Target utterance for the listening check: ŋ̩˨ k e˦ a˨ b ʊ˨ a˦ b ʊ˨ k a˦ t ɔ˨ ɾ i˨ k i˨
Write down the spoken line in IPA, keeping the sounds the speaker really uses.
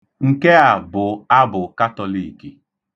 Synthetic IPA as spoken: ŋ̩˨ k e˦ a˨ b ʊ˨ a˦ b ʊ˨ k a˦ t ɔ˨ l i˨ k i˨